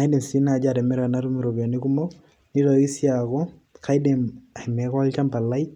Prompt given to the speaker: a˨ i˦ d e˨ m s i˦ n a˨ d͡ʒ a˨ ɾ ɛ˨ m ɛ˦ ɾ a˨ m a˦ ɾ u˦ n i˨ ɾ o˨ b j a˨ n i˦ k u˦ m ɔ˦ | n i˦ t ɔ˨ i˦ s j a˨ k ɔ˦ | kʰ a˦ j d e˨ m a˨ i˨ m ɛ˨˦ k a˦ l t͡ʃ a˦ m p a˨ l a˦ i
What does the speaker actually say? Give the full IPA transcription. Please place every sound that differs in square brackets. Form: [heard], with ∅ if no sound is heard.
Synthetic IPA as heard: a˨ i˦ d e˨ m s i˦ n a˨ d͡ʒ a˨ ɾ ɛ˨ m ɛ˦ ɾ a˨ [n] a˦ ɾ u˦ [m] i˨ ɾ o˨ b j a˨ n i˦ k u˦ m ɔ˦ | n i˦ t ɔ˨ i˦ s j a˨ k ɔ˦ | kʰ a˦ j d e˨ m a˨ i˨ m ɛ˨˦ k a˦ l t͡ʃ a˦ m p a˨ l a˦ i

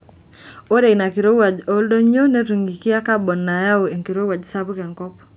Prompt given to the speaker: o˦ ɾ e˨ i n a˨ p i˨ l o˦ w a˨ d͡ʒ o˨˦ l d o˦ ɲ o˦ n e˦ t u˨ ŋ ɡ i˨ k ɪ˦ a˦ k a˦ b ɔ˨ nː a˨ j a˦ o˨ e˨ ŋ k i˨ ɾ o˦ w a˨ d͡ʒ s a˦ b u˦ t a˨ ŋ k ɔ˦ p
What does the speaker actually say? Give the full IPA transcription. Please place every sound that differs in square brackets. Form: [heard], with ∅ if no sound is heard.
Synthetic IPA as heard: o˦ ɾ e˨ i n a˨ [k] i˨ [ɾ] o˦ w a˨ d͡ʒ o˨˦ l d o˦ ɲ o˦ n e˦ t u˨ ŋ ɡ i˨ k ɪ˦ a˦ k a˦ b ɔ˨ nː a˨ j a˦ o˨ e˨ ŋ k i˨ ɾ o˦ w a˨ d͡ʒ s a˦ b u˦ [k] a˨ ŋ k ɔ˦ p

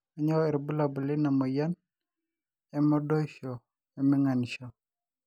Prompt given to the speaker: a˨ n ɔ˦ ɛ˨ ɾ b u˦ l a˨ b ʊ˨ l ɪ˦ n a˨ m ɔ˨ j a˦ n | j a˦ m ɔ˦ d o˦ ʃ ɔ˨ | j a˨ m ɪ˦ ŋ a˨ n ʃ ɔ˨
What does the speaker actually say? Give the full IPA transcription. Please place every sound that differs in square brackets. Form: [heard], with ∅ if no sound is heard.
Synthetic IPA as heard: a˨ [ɲ] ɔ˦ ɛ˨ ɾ b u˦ l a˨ b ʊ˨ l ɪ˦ n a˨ m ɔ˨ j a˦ n | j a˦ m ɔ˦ d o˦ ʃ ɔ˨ | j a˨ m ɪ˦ ŋ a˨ n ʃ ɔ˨

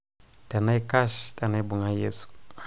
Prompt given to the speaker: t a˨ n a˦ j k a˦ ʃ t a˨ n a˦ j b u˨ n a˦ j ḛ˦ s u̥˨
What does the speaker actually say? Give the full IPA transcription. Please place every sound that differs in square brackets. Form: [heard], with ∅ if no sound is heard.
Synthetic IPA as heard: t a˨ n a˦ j k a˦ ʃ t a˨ n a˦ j b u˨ [ŋ] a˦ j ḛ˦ s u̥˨

